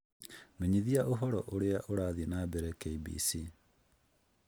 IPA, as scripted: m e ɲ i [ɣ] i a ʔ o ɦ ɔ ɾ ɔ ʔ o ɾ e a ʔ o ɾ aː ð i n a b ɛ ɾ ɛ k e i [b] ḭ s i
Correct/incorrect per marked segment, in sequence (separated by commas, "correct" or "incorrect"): incorrect, correct